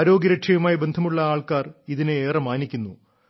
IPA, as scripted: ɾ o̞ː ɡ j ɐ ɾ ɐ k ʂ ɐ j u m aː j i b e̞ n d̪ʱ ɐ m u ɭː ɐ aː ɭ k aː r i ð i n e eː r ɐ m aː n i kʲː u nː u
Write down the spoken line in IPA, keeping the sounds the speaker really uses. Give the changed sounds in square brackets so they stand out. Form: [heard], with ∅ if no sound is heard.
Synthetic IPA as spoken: ɾ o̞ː ɡ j ɐ ɾ ɐ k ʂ ɐ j u m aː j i b e̞ n d̪ʱ ɐ m u ɭː ɐ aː ɭ k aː r i ð i n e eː r ɐ m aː n i kʲː u nː u